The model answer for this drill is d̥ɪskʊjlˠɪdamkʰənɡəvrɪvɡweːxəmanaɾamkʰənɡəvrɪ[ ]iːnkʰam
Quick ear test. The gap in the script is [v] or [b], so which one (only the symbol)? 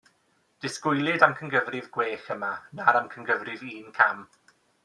v